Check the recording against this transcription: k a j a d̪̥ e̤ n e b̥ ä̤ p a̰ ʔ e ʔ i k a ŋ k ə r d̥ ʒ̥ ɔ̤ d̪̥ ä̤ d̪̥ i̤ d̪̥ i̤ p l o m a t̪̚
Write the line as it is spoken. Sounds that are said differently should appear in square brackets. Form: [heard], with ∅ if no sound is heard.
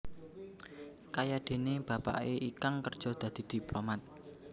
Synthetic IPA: k a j a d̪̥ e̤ n e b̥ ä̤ p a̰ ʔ e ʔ i k a ŋ k ə r d̥ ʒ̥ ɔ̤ d̪̥ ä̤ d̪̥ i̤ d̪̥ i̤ p l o m a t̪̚

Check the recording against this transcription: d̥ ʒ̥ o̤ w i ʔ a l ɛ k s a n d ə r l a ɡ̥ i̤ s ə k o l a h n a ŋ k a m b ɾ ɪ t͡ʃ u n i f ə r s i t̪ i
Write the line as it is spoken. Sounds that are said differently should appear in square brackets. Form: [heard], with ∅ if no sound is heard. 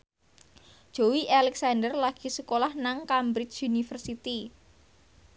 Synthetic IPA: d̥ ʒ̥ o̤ w i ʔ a l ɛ k s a n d ə r l a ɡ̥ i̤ s ə k o l a h n a ŋ k a m b ɾ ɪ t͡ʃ u n i f ə r s i t̪ i

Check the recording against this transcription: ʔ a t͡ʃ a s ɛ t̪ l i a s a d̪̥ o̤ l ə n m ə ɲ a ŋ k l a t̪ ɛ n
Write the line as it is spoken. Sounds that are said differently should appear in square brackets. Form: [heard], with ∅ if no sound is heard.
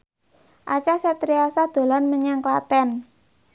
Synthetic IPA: ʔ a t͡ʃ a s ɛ t̪ [ɾ] i a s a d̪̥ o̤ l [a] n m ə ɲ a ŋ k l a t̪ ɛ n

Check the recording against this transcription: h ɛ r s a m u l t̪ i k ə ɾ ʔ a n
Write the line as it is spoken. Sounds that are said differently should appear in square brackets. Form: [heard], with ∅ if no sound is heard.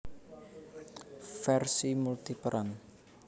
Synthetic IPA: [f] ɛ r s [i] m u l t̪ i [p] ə ɾ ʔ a n

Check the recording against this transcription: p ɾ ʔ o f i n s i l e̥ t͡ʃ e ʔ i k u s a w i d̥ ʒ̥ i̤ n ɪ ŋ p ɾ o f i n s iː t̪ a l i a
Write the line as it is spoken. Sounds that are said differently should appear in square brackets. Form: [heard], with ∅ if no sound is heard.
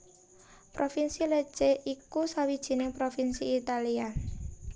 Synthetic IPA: p ɾ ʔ o f i n s i l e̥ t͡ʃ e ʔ i k u s a w i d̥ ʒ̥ i̤ n ɪ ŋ p ɾ o f i n s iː t̪ a l i a

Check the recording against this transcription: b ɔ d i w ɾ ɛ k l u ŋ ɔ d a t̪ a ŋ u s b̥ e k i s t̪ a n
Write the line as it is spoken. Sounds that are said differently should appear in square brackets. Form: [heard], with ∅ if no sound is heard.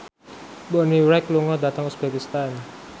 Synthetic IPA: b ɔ [n] i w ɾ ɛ k l u ŋ ɔ d a t̪ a ŋ u s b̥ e k i s t̪ a n

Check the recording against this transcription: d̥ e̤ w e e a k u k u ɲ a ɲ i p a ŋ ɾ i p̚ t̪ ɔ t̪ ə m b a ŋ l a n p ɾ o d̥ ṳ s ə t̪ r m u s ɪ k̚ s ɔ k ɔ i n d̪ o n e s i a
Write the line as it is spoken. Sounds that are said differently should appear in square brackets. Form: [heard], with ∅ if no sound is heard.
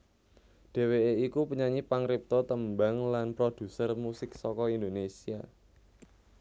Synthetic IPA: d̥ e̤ w e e [i] k u [p] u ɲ a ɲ i p a ŋ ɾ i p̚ t̪ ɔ t̪ ə m b a ŋ l a n p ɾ o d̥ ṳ s ə [∅] r m u s ɪ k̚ s ɔ k ɔ i n d̪ o n e s i a

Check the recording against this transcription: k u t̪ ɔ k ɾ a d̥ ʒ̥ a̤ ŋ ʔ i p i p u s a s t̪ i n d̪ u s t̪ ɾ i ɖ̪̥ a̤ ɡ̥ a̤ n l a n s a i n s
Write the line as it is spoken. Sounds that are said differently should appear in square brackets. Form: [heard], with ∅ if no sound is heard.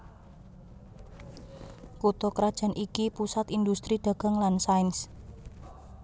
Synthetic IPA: k u t̪ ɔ k ɾ a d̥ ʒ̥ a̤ [n] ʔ i [k] i p u s a [∅] t̪ i n d̪ u s t̪ ɾ i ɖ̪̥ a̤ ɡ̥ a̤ [ŋ] l a n s a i n s

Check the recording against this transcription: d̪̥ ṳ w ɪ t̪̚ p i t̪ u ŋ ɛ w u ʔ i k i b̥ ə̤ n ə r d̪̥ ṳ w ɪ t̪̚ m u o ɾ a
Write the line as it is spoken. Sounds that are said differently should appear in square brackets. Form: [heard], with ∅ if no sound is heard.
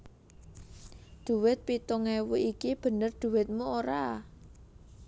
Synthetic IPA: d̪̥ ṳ w ɪ t̪̚ p i t̪ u ŋ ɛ w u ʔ i k i b̥ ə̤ n ə r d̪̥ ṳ w ɪ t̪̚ m u o ɾ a

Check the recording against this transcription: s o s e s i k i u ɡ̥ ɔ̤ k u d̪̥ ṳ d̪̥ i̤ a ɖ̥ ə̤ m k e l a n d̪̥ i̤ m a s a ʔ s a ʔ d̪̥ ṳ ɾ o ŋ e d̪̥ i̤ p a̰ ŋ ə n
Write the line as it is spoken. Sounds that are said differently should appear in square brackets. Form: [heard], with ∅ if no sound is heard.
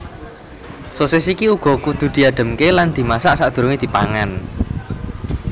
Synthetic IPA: s o s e s i k i u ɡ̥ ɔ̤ k u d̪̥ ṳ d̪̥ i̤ a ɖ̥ ə̤ m k e l a n d̪̥ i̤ m a s a ʔ s a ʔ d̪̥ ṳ ɾ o ŋ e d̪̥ i̤ p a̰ ŋ [a] n

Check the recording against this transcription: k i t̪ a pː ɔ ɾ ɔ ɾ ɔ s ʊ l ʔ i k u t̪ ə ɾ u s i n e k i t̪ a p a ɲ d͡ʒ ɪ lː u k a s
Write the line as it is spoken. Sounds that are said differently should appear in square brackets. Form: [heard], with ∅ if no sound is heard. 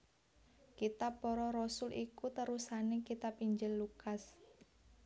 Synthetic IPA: k i t̪ a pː ɔ ɾ ɔ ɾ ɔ s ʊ l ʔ i k u t̪ ə ɾ u s [a] n e k i t̪ a p [i] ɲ d͡ʒ ɪ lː u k a s

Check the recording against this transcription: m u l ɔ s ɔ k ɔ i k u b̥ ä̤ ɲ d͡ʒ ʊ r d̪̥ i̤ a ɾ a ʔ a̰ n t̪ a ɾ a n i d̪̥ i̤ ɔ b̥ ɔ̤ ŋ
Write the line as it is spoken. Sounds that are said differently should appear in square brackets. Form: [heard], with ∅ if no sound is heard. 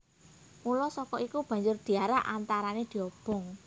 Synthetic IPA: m u l ɔ s ɔ k ɔ i k u b̥ ä̤ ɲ d͡ʒ ʊ r d̪̥ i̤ a ɾ a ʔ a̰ n t̪ a ɾ a n [e] d̪̥ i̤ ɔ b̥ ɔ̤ ŋ

